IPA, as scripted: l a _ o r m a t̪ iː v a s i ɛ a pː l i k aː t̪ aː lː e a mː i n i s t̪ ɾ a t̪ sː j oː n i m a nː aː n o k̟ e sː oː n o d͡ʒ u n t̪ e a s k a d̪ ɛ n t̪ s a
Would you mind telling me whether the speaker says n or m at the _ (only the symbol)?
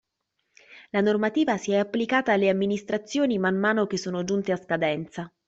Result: n